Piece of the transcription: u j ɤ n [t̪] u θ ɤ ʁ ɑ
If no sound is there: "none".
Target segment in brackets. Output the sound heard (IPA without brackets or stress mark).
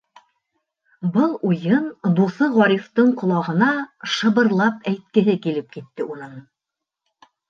d̪